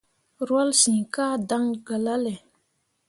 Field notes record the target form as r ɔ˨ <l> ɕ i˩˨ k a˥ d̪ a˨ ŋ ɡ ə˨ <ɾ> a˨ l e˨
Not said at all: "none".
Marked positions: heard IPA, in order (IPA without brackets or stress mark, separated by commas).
l, l